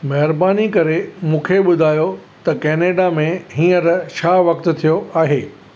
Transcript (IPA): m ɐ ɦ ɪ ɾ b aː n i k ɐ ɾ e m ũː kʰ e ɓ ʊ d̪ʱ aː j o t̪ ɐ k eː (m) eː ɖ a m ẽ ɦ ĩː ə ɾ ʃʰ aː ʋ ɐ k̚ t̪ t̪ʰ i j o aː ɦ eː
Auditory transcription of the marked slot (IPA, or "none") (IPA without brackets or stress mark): n